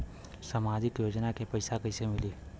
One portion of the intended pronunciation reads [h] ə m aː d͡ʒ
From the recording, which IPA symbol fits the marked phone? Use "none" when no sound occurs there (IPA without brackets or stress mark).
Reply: s